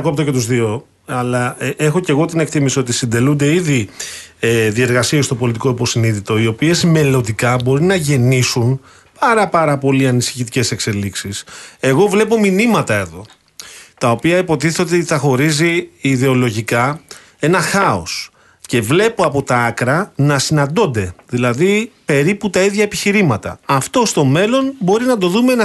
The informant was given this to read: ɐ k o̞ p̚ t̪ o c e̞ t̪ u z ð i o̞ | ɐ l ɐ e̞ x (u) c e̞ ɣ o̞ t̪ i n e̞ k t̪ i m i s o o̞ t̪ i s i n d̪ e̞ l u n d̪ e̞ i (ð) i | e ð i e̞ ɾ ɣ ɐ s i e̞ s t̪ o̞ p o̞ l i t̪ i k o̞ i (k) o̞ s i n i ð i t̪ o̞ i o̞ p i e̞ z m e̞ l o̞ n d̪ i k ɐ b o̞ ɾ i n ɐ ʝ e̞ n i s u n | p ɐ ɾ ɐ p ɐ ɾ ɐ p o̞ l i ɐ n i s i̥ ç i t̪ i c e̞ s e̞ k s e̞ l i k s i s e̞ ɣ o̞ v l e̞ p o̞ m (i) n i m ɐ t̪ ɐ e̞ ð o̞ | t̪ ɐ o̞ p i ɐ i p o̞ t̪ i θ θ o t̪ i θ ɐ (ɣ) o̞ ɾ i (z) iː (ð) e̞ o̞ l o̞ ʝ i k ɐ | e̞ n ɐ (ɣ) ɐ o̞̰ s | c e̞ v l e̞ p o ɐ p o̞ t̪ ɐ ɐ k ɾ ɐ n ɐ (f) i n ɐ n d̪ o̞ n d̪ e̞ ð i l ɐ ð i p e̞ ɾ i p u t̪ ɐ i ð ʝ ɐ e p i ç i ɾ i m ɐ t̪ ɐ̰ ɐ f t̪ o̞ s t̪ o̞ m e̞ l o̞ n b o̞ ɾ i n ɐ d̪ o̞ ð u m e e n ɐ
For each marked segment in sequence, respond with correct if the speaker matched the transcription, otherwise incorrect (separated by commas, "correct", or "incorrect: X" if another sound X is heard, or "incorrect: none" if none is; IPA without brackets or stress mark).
incorrect: o, correct, incorrect: p, correct, incorrect: x, correct, correct, incorrect: x, incorrect: s